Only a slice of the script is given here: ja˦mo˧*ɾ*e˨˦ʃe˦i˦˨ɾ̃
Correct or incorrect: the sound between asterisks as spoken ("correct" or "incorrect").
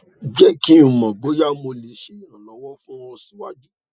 incorrect